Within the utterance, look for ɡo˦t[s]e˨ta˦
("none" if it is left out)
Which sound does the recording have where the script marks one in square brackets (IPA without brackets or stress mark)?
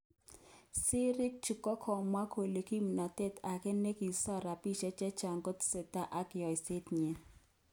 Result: s